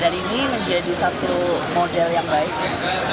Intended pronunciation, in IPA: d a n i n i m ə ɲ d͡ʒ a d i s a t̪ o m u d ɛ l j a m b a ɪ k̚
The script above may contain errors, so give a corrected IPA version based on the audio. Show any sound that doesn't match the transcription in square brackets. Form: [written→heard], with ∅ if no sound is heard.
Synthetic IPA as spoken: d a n i n i m ə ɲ d͡ʒ a d i s a t̪ [o→u] m [u→o] d ɛ l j a [m→ŋ] b a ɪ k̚